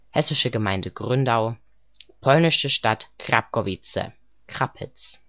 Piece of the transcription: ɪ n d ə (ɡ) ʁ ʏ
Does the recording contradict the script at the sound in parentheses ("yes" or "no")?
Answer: no